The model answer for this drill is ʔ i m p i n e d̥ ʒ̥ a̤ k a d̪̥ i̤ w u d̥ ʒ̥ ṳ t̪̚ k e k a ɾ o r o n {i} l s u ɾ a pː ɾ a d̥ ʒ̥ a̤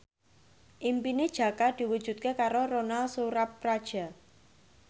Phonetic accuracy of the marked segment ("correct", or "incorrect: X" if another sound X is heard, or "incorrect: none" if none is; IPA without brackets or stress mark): incorrect: a